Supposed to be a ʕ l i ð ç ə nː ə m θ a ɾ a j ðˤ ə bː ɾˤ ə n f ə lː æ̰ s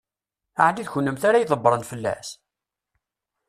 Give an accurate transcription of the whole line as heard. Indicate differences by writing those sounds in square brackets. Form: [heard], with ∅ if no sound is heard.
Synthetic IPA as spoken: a ʕ l i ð ç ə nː ə m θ a ɾ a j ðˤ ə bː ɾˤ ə n f ə lː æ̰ s